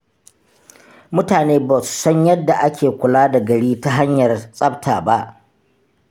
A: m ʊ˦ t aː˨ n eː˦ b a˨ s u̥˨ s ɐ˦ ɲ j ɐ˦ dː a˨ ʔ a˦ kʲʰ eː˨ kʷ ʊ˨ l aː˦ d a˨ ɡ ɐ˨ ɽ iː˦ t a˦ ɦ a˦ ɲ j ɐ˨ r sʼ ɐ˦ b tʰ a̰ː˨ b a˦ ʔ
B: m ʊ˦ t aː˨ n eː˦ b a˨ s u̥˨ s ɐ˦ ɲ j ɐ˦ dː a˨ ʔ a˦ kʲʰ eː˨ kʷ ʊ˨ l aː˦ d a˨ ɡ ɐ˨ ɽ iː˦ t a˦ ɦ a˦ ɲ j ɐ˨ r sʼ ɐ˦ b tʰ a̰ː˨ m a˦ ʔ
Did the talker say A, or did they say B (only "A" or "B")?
A